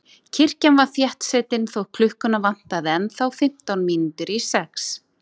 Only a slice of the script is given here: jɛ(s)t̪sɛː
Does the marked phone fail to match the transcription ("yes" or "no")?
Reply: yes